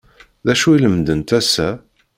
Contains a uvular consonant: no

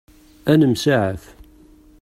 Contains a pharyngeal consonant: yes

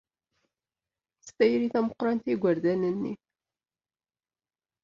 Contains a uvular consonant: yes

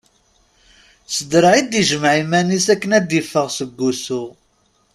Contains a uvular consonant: yes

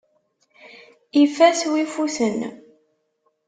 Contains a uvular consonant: no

